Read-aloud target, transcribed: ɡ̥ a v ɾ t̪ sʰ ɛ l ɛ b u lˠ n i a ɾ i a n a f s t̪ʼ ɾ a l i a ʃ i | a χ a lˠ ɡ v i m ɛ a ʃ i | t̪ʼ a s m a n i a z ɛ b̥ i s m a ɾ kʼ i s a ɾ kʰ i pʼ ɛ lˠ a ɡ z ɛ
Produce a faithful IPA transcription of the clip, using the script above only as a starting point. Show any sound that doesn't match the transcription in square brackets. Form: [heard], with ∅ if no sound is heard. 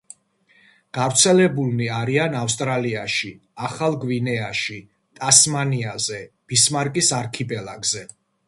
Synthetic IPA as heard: ɡ̥ a v ɾ t̪ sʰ ɛ l ɛ b u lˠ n i a ɾ i a n a f s t̪ʼ ɾ a l i a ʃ i | a χ a lˠ ɡ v i [n] ɛ a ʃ i | t̪ʼ a s m a n i a z ɛ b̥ i s m a ɾ kʼ i s a ɾ kʰ i pʼ ɛ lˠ a ɡ z ɛ